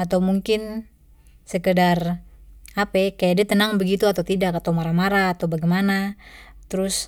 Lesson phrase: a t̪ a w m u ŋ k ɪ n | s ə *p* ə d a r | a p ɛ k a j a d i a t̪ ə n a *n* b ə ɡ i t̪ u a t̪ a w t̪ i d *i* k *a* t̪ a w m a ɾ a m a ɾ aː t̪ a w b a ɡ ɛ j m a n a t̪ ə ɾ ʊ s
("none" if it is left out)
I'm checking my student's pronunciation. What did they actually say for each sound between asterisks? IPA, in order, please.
k, ŋ, a, a

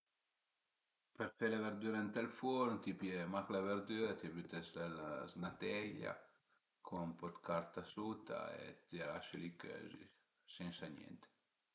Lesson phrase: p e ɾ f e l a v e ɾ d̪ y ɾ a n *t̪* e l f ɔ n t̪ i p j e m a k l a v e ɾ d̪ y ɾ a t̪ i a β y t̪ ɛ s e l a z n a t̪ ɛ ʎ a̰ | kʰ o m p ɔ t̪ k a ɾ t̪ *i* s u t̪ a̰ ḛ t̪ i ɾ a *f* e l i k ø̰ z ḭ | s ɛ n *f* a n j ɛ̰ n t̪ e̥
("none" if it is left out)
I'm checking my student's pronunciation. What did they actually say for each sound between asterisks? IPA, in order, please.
t̪, a, ʃ, s

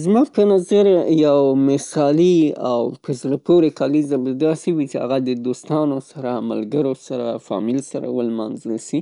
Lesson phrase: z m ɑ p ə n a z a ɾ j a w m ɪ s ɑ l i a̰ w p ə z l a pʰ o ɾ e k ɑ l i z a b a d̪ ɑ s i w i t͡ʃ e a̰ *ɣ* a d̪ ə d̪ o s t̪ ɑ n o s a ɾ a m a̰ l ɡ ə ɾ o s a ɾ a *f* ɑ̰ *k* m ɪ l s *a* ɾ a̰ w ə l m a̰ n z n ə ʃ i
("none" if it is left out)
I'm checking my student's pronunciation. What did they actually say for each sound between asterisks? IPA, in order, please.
ɣ, f, none, a

